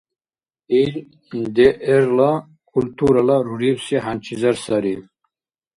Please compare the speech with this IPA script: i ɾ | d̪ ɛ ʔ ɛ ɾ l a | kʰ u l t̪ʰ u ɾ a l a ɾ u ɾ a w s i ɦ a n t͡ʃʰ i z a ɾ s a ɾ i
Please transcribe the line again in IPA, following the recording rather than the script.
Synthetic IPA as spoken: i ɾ | d̪ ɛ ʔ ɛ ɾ l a | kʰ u l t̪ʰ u ɾ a l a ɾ u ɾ i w s i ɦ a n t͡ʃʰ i z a ɾ s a ɾ i